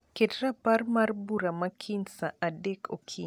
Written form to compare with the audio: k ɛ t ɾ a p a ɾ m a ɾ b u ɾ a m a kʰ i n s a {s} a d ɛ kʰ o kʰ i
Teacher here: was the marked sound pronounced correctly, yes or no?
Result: no